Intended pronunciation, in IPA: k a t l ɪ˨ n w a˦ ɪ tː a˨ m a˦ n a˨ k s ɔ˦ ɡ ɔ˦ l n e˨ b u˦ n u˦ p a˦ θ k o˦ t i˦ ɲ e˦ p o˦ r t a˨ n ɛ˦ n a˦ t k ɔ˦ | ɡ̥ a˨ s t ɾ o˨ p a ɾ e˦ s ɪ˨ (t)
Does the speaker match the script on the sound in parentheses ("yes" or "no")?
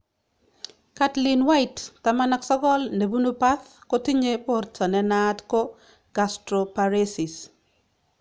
no